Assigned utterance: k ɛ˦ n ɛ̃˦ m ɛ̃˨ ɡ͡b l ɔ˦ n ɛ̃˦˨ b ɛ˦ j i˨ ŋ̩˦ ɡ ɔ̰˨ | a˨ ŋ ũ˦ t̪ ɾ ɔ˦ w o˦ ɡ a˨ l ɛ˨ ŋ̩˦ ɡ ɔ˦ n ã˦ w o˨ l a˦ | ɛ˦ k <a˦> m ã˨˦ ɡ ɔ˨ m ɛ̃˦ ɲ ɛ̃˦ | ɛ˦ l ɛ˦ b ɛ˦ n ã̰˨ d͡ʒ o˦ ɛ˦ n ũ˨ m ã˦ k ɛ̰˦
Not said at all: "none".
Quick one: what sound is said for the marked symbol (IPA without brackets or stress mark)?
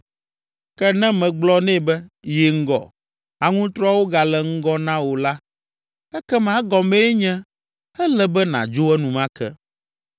ɛ˦